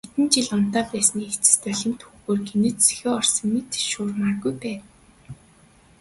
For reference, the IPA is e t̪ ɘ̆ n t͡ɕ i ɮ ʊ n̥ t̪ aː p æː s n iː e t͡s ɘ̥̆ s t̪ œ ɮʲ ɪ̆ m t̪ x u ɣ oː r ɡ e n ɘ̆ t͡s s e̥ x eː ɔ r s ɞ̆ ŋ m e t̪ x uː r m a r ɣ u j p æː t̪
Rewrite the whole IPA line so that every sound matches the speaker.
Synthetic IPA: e t̪ ɘ̆ n t͡ɕ i ɮ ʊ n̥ t̪ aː p æː s n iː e t͡s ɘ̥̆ s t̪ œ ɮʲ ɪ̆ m t̪ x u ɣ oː r ɡ e n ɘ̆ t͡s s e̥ x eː ɔ r s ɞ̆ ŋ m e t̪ ʃ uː r m a r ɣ u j p æː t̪